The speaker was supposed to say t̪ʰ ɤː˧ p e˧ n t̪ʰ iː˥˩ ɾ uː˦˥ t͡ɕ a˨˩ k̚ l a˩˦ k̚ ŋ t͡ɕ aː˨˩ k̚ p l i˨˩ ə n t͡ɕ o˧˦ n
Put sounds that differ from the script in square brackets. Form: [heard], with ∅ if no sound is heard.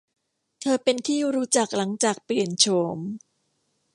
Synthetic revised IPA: t̪ʰ ɤː˧ p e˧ n t̪ʰ iː˥˩ ɾ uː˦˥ t͡ɕ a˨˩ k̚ l a˩˦ [∅] ŋ t͡ɕ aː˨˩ k̚ p l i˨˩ ə n [t͡ɕʰ] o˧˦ [m]